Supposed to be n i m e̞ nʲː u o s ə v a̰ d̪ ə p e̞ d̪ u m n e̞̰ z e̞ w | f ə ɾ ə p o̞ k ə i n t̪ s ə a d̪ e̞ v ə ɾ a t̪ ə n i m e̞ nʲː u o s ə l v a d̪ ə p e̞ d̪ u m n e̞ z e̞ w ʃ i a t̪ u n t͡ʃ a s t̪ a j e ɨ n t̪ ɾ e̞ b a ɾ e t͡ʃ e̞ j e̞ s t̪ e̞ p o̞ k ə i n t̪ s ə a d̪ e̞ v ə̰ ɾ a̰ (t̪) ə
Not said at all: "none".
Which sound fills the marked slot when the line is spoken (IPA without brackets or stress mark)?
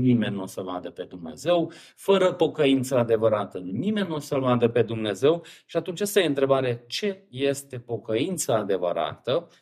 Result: t̪